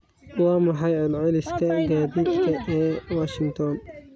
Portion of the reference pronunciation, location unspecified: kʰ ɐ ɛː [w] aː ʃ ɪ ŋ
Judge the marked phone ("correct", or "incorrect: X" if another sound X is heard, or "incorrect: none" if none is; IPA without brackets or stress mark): correct